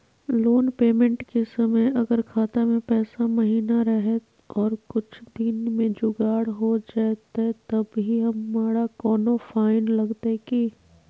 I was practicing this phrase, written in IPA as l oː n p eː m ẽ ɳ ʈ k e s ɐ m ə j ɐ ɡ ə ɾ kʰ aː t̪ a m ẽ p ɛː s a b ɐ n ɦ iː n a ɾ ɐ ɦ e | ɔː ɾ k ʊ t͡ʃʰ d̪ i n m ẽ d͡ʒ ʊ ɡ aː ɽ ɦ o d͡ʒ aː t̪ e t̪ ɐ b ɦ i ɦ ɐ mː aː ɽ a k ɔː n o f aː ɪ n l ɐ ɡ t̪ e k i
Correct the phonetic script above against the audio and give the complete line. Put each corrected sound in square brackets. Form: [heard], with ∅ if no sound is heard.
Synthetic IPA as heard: l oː n p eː m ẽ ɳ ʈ k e s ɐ m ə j ɐ ɡ ə ɾ kʰ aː t̪ a m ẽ p ɛː s a [m] ɐ [∅] ɦ iː n a ɾ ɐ ɦ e | ɔː ɾ k ʊ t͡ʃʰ d̪ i n m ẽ d͡ʒ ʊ ɡ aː ɽ ɦ o d͡ʒ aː t̪ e t̪ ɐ b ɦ i ɦ ɐ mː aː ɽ a k ɔː n o f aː ɪ n l ɐ ɡ t̪ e k i